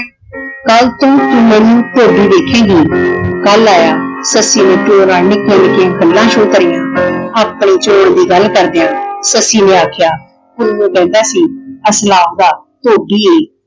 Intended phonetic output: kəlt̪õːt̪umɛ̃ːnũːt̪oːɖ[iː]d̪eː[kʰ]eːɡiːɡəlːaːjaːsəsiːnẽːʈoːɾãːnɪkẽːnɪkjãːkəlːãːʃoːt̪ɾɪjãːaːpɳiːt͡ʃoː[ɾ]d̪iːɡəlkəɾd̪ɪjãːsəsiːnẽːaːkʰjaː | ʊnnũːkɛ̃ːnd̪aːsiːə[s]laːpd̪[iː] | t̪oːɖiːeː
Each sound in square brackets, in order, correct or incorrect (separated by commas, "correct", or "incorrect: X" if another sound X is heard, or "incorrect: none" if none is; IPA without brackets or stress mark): correct, correct, incorrect: ɽ, correct, incorrect: aː